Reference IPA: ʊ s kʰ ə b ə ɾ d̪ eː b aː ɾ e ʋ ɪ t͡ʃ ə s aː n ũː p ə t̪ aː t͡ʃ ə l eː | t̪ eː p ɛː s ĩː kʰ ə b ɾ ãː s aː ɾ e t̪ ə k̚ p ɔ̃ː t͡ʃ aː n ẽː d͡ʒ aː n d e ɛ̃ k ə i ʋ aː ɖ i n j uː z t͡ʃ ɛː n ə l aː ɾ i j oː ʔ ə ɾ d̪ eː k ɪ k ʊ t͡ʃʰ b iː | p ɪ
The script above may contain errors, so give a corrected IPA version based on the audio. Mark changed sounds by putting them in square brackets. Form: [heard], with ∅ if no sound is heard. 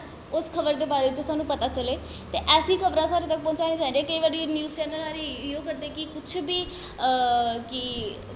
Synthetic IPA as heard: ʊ s kʰ ə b ə ɾ d̪ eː b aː ɾ e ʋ ɪ t͡ʃ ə s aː n ũː p ə t̪ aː t͡ʃ ə l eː | t̪ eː [ʔ] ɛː s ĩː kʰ ə b ɾ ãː s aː ɾ e t̪ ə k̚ p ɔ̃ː t͡ʃ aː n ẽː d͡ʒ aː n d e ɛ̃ k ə i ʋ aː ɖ i n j uː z t͡ʃ ɛː n ə l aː ɾ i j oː [k] ə ɾ d̪ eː k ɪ k ʊ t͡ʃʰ b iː | [k] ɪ